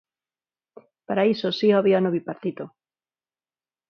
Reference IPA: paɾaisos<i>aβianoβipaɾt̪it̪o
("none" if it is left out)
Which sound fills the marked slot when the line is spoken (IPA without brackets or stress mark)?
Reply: i